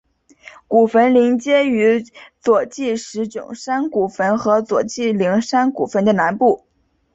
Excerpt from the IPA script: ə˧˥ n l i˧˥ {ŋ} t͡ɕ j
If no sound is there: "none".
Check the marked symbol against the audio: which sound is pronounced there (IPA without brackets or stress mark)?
ŋ